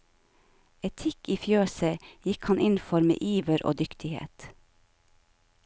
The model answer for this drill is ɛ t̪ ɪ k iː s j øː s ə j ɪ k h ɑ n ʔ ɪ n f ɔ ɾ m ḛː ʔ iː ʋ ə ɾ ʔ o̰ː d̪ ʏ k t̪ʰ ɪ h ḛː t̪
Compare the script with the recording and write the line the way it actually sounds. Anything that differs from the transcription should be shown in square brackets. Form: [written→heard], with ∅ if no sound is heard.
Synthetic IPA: ɛ [t̪→t̪ʰ] ɪ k iː [s→f] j øː s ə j ɪ k h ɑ n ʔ ɪ n f ɔ ɾ m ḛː ʔ iː ʋ ə ɾ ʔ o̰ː d̪ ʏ k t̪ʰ ɪ h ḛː t̪